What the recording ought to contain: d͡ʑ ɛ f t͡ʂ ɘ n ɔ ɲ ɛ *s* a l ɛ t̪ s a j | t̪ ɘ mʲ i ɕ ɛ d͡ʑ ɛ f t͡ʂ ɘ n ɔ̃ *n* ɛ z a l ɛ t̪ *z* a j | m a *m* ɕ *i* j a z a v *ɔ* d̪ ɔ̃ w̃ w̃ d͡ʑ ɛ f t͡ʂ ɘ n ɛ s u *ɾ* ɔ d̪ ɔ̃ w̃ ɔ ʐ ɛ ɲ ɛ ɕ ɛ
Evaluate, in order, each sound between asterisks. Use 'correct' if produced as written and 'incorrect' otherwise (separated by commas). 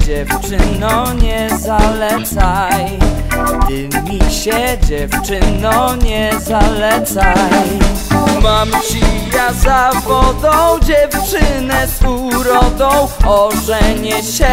incorrect, incorrect, incorrect, correct, correct, correct, correct